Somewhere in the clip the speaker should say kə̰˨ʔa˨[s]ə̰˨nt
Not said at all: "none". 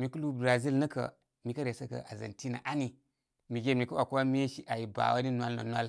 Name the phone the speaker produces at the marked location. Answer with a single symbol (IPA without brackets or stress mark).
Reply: z